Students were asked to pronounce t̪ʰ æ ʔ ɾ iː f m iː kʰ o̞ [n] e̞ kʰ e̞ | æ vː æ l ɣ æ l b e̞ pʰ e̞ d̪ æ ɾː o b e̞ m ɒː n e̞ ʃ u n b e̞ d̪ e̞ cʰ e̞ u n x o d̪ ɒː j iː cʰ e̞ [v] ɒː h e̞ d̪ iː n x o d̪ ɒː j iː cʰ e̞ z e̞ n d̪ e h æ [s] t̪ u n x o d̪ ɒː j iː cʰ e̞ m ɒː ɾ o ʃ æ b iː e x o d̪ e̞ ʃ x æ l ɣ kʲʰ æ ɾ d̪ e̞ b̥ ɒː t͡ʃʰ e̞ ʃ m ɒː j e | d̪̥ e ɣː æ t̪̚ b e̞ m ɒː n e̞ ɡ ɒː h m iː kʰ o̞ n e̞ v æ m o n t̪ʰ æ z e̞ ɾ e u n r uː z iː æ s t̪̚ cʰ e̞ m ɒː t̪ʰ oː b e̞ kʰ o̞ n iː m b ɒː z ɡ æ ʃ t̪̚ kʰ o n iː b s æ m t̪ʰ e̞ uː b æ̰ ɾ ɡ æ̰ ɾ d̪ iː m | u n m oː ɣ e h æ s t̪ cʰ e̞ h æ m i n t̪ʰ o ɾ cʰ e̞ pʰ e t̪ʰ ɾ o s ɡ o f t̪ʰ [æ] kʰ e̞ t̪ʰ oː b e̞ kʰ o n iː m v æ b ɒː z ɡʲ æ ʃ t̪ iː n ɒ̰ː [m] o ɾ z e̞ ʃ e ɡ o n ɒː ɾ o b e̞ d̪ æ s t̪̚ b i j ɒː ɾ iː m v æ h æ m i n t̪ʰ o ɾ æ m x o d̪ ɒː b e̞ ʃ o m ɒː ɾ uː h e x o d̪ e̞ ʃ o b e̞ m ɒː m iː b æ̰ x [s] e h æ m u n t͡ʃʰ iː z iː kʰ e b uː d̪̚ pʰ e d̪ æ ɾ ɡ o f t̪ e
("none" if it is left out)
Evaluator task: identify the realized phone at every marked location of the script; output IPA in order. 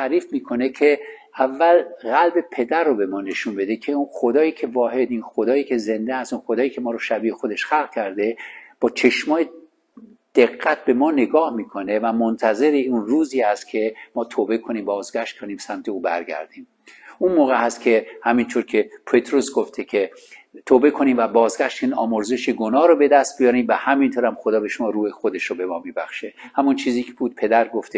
n, v, s, e, m, ʃ

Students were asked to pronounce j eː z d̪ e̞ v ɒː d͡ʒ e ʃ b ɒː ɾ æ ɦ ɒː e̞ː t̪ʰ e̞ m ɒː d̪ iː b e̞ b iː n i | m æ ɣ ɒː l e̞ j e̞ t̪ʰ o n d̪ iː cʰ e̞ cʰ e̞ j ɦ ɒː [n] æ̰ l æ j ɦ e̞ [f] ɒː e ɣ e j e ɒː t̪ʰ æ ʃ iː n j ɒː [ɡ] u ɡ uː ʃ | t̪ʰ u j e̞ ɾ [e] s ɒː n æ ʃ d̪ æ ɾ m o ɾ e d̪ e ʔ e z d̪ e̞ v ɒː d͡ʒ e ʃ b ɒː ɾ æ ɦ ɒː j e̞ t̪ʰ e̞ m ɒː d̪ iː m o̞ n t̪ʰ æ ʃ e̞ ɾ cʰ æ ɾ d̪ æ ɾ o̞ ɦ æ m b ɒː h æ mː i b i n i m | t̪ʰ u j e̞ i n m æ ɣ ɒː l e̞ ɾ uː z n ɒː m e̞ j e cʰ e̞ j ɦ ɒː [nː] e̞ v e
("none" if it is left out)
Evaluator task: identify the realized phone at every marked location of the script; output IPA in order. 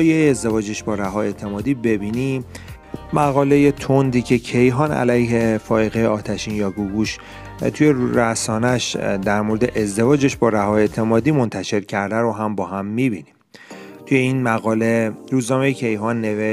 n, f, ɡ, æ, nː

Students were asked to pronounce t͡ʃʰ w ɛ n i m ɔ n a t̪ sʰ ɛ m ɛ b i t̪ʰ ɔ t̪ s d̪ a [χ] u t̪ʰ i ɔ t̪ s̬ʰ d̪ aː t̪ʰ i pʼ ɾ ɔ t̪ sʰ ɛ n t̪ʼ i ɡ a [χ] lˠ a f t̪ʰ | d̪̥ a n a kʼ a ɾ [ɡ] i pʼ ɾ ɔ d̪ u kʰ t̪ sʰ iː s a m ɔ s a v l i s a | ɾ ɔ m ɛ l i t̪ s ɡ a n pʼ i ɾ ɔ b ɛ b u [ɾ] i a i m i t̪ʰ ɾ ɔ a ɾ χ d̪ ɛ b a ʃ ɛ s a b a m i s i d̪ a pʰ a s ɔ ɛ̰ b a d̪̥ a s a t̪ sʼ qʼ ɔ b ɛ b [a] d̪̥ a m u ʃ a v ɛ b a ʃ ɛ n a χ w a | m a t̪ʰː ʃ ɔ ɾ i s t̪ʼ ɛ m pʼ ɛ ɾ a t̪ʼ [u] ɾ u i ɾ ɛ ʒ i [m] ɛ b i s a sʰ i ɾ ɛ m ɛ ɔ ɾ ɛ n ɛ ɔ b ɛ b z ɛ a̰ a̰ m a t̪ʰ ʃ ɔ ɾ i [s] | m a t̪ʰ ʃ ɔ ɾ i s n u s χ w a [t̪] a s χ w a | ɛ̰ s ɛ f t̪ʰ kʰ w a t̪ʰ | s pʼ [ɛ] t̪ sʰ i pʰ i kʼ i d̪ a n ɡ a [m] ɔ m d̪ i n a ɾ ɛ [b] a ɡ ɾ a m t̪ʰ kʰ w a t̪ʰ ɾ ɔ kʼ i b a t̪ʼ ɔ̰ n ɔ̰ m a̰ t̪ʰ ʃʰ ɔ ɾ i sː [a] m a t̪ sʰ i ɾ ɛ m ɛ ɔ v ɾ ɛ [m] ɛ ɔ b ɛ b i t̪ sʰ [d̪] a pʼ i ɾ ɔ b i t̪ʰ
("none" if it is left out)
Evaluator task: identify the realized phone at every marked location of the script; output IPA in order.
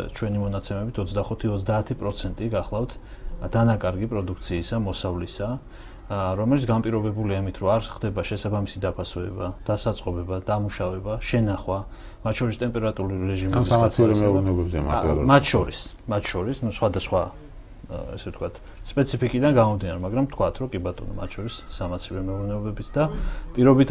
χ, χ, ɡ, l, a, u, m, s, d̪, ɛ, m, m, a, n, d̪

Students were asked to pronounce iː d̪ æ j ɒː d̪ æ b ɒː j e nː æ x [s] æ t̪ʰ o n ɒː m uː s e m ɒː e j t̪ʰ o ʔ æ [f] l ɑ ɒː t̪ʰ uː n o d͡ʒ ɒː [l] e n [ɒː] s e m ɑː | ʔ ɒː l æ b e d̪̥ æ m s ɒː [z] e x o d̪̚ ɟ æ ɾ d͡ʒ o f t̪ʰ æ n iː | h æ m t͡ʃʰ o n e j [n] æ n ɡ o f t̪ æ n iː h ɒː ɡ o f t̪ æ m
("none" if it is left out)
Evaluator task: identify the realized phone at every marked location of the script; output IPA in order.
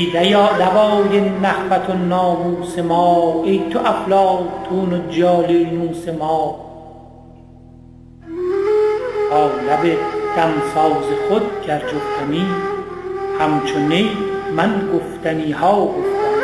f, f, l, uː, z, m

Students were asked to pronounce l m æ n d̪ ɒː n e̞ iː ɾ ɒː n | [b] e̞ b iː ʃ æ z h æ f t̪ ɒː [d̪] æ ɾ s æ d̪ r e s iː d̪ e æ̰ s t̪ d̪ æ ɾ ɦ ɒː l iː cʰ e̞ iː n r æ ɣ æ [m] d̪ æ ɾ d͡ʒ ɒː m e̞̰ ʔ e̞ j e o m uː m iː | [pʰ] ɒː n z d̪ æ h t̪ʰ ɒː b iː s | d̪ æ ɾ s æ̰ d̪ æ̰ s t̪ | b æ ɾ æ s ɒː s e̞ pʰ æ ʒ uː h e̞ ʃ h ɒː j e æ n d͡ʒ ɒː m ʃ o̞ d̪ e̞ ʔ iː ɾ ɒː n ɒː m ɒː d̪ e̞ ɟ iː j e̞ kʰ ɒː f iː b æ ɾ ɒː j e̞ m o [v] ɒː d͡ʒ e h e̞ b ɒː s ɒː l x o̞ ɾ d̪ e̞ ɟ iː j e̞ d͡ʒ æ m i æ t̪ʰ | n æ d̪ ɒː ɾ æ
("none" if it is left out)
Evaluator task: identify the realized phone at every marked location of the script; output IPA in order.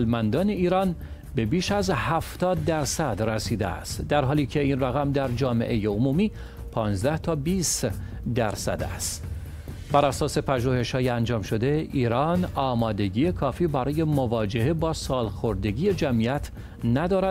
b, d̪ː, m, pʰ, v

